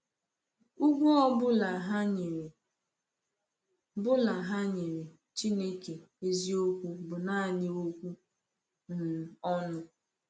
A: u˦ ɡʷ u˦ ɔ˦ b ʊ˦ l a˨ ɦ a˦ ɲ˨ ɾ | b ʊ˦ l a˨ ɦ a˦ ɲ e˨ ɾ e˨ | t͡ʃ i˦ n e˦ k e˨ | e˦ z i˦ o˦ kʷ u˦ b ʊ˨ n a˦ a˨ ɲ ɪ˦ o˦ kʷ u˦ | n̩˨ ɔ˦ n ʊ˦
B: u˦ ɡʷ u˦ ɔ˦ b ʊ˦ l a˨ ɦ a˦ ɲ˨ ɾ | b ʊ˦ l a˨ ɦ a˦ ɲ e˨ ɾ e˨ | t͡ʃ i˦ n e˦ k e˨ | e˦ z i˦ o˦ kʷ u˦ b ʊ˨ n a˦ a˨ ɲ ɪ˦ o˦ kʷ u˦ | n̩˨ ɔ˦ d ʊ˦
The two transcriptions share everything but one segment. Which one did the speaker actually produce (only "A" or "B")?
A